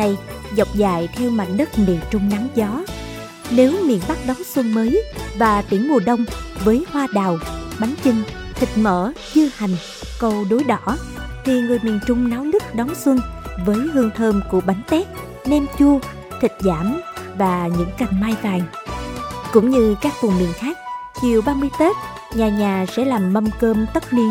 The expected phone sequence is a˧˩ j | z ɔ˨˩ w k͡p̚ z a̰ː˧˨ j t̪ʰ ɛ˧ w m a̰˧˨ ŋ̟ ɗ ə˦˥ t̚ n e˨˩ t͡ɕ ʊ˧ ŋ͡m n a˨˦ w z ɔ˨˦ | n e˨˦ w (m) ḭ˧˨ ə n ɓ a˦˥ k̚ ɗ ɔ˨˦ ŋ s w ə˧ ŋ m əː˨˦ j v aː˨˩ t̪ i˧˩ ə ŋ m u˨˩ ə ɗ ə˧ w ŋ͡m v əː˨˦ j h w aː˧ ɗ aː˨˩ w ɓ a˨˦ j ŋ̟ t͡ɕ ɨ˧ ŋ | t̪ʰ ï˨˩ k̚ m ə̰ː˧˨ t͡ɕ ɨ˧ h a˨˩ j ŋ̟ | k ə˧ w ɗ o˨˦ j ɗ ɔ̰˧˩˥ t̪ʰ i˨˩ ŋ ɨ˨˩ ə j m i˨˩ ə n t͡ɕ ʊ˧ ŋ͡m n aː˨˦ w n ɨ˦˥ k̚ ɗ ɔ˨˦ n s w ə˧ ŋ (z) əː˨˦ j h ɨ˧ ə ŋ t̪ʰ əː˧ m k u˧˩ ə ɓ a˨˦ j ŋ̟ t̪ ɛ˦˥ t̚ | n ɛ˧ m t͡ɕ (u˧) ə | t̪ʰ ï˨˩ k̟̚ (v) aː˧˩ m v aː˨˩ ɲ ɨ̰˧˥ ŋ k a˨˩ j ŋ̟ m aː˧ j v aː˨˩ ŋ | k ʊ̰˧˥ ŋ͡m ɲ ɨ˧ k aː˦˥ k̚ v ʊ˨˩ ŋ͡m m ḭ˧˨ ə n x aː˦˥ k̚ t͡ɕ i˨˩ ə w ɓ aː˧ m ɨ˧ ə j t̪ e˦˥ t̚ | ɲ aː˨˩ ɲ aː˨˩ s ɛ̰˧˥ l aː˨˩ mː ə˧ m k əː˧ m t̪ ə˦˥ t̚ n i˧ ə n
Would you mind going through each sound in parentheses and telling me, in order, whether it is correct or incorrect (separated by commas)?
correct, incorrect, correct, incorrect